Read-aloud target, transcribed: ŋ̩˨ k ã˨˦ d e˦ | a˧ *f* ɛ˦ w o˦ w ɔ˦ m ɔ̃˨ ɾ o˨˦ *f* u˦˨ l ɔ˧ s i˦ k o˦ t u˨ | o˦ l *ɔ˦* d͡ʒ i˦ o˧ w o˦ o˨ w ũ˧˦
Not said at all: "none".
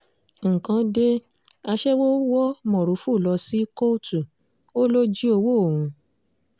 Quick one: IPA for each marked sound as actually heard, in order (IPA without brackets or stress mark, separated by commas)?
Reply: ʃ, f, o˦